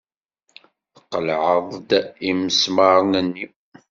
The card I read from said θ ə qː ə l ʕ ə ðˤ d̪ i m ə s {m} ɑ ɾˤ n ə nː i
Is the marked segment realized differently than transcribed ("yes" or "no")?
no